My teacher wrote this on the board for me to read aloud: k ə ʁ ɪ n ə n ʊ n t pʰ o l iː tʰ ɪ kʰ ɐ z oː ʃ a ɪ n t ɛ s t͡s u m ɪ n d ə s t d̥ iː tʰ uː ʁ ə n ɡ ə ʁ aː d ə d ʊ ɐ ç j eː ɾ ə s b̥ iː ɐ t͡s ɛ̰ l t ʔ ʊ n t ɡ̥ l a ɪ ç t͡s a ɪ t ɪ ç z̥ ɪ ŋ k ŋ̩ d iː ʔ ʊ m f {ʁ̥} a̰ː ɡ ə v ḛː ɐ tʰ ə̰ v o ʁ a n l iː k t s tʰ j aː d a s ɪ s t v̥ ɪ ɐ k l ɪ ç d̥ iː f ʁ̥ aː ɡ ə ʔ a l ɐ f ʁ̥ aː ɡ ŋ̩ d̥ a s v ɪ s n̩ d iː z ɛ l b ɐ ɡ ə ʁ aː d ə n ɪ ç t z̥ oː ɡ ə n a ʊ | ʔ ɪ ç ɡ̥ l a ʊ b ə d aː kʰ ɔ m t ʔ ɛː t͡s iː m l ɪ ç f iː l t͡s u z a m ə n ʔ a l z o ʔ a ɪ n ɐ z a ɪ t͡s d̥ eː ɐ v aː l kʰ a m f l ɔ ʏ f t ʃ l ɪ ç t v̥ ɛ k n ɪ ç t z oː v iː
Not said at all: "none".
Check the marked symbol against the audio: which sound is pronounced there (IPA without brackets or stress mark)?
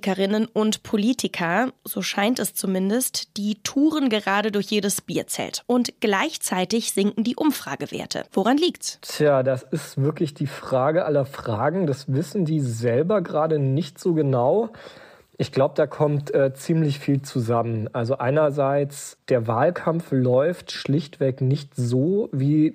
ʁ̥